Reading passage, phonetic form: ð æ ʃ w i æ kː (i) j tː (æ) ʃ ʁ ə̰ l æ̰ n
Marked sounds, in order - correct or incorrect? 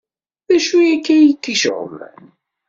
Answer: incorrect: æ, incorrect: i

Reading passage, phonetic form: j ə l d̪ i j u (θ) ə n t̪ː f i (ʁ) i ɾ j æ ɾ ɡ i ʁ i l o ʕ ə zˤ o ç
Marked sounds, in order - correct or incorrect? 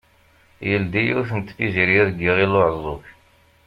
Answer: correct, incorrect: z

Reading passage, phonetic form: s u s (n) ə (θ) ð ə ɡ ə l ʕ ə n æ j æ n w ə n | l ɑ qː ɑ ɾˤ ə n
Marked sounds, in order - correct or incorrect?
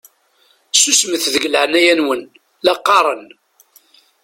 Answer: incorrect: m, correct

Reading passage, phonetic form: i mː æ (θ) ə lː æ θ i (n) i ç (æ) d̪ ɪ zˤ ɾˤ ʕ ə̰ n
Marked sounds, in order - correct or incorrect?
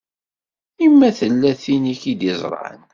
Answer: correct, correct, incorrect: i

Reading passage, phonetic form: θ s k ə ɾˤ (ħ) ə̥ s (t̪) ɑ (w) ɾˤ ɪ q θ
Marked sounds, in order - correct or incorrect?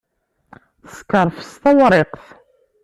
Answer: incorrect: f, correct, correct

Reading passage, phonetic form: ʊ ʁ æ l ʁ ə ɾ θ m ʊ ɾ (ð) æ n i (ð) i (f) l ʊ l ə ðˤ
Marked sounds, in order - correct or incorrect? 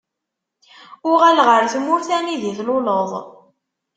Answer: incorrect: θ, correct, incorrect: θ

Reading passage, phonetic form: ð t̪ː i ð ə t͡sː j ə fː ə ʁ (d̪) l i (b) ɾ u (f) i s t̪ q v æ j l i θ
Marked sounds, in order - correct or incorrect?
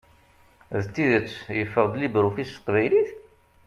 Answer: correct, correct, correct

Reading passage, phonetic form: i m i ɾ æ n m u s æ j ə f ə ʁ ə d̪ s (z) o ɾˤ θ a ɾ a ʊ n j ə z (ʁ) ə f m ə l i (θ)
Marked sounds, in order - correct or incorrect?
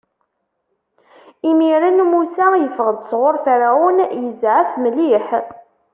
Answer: incorrect: ʁ, incorrect: ʕ, incorrect: ħ

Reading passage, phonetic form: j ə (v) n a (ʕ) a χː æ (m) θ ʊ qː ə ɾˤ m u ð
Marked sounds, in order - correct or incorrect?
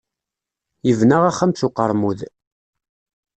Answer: correct, incorrect: ʁ, correct

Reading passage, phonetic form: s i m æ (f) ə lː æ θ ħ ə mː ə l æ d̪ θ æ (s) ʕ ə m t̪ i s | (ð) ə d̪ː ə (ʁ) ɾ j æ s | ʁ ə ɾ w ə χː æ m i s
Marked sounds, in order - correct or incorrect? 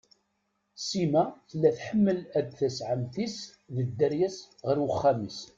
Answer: incorrect: θ, correct, correct, incorrect: none

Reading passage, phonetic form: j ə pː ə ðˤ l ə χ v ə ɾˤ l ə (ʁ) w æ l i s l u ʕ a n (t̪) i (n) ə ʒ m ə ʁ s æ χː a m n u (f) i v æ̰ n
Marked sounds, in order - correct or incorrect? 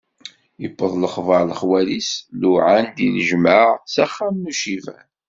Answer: incorrect: χ, incorrect: d̪, correct, incorrect: ʃ

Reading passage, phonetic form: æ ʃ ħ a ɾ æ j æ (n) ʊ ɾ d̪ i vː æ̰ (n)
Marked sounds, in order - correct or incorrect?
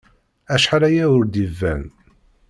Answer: incorrect: none, correct

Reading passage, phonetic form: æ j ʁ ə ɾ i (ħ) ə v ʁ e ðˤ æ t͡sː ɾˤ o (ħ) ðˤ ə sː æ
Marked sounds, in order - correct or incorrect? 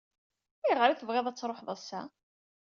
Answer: incorrect: θ, correct

